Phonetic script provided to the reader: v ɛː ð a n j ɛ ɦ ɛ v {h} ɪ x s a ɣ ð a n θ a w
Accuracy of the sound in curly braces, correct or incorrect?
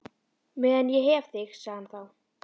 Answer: incorrect: θ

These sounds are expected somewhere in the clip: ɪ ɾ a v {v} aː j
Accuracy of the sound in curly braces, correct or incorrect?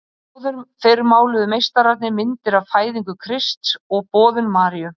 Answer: incorrect: f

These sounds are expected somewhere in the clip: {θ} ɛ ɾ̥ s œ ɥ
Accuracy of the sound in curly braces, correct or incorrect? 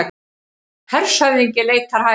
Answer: incorrect: h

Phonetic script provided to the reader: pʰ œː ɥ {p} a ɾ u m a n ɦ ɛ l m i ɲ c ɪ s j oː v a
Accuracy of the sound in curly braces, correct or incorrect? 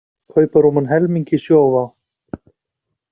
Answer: correct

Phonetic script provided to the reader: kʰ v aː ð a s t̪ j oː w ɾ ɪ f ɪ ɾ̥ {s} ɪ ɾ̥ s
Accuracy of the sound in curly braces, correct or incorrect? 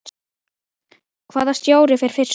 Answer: incorrect: f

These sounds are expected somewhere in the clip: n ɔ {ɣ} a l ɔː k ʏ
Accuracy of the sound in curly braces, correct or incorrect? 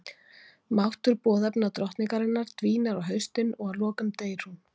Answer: correct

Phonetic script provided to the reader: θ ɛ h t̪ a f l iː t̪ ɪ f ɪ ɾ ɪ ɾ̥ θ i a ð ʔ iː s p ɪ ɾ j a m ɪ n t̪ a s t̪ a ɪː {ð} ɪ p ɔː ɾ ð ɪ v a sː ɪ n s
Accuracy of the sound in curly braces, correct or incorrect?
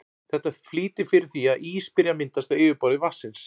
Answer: incorrect: v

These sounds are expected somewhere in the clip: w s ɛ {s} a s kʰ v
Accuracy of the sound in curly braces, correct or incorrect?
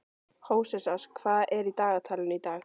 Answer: correct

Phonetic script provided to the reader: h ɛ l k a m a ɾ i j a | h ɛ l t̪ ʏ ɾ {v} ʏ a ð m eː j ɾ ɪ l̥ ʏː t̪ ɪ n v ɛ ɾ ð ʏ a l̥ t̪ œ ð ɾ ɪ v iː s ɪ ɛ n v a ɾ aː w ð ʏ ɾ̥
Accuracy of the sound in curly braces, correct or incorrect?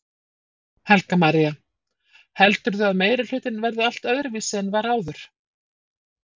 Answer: incorrect: ð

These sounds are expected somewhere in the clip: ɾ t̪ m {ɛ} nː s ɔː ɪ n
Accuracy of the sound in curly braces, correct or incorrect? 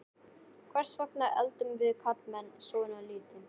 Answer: correct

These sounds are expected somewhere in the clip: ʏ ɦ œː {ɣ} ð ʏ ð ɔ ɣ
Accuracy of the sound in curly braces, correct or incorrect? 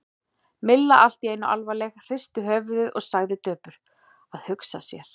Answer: incorrect: v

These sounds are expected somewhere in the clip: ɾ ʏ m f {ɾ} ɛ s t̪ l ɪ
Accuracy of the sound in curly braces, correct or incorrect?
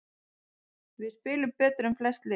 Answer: incorrect: l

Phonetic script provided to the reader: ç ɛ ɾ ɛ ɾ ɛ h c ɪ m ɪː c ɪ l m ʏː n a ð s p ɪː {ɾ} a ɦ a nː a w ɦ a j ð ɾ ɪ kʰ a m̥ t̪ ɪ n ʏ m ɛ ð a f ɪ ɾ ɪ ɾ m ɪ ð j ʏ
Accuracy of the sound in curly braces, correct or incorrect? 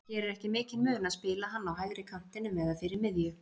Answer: incorrect: l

